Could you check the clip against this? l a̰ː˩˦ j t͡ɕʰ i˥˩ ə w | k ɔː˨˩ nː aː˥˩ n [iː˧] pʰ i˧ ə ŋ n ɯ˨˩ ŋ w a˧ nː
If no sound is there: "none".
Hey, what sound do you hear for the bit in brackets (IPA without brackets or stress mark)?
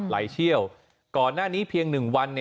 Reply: iː˦˥